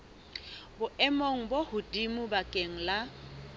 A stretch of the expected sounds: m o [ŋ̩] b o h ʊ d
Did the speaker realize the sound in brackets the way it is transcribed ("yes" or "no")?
yes